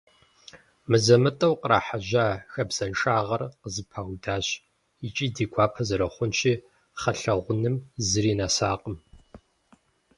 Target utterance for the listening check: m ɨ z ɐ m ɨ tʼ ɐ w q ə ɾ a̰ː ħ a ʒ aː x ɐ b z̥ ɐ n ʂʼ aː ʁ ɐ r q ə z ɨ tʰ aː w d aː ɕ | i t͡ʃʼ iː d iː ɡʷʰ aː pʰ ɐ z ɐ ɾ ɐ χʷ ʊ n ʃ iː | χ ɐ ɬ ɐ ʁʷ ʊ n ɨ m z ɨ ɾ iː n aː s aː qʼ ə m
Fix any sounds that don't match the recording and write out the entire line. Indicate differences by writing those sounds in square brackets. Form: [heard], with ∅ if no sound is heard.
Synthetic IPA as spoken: m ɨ z ɐ m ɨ tʼ ɐ w q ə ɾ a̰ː ħ a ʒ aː x ɐ b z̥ ɐ n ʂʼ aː ʁ ɐ r q ə z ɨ [pʰ] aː w d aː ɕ | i t͡ʃʼ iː d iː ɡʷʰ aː pʰ ɐ z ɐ ɾ ɐ χʷ ʊ n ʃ iː | χ ɐ ɬ ɐ ʁʷ ʊ n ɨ m z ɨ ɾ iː n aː s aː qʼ ə m